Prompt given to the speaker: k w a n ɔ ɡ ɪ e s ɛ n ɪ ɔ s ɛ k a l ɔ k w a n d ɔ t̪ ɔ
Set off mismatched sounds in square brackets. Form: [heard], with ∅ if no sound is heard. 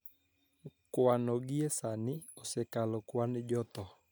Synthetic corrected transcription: k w a n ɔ ɡ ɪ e s [a] n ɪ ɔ s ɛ k a l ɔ k w a n [d͡ʒ] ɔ t̪ ɔ